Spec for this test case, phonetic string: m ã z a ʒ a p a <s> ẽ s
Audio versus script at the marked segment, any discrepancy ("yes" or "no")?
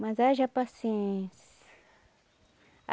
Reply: no